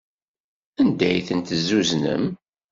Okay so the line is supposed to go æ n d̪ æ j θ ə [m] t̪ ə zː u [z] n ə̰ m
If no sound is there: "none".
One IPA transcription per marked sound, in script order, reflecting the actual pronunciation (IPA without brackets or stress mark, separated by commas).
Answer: n, z